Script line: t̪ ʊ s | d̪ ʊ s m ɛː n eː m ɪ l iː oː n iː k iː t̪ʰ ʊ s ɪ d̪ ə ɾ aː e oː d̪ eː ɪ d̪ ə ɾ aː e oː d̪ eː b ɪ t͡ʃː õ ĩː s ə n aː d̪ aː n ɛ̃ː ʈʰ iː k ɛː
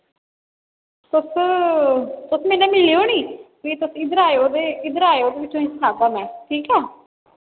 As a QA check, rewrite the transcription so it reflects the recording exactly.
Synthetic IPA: t̪ ʊ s | t̪ ʊ s m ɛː n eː m ɪ l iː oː n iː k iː t̪ ʊ s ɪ d̪ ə ɾ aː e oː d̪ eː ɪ d̪ ə ɾ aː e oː d̪ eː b ɪ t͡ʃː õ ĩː s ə n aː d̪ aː m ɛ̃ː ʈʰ iː k ɛː